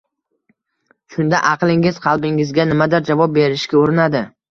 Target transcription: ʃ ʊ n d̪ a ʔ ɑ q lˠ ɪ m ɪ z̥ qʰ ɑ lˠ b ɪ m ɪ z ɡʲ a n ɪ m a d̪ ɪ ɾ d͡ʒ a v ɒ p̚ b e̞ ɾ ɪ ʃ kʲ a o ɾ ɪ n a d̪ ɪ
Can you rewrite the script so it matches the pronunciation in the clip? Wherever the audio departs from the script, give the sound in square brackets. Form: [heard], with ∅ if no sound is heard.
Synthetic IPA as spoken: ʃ ʊ n d̪ a ʔ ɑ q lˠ ɪ [ŋ] ɪ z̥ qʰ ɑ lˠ b ɪ [ŋ] ɪ z ɡʲ a n ɪ m a d̪ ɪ ɾ d͡ʒ a v ɒ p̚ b e̞ ɾ ɪ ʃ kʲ a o ɾ ɪ n a d̪ ɪ